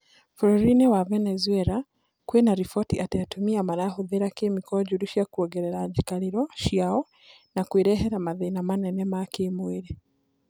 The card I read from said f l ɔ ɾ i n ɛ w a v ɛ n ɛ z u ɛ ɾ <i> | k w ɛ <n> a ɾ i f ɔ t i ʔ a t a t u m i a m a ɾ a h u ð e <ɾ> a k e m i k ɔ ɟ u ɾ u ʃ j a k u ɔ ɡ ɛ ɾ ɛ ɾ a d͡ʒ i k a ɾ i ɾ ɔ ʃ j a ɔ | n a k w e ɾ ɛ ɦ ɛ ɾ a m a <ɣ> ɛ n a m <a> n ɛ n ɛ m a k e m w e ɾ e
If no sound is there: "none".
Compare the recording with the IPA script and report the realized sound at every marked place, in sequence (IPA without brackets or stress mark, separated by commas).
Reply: a, n, ɾ, ð, a